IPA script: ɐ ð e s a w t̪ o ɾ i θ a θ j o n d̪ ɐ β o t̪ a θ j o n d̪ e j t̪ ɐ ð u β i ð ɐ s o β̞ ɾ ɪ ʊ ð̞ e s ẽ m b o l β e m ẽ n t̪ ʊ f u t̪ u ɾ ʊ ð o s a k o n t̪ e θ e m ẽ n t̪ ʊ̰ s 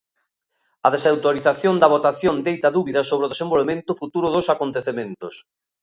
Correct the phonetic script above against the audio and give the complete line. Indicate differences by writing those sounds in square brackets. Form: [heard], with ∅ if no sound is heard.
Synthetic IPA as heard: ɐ ð e s a w t̪ o ɾ i θ a θ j o n d̪ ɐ β o t̪ a θ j o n d̪ e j t̪ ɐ ð u β i ð ɐ s o β̞ ɾ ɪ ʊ ð̞ e s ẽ m b o l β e m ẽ n t̪ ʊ f u t̪ u ɾ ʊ ð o s a k o n t̪ e θ e m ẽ n t̪ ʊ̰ s